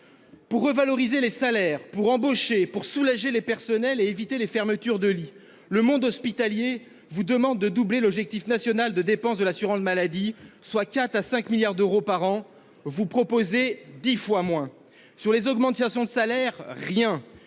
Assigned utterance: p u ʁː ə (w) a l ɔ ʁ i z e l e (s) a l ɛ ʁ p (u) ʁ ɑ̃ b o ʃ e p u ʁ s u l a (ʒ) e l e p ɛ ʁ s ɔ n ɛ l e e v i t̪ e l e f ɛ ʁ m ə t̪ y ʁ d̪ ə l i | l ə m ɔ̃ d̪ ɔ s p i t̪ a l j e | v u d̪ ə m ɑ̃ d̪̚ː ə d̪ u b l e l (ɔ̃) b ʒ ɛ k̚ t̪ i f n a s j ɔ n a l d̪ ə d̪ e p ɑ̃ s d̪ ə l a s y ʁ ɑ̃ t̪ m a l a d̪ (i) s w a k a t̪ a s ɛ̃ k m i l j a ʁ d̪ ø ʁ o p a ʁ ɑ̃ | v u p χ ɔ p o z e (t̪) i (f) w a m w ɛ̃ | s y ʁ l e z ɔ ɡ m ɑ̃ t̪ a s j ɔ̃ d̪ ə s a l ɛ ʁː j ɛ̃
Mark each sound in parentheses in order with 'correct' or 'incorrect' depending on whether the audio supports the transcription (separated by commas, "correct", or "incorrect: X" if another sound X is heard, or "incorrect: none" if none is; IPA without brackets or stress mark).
incorrect: v, correct, correct, correct, incorrect: ɔ, correct, incorrect: d̪, correct